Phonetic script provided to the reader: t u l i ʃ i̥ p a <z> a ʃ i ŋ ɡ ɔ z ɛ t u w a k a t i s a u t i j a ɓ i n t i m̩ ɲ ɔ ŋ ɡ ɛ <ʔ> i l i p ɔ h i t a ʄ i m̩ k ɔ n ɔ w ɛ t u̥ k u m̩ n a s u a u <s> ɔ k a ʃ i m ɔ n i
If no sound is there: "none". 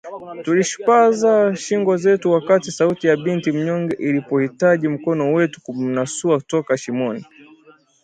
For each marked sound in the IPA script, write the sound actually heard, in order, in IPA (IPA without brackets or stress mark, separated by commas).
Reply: z, ʔ, t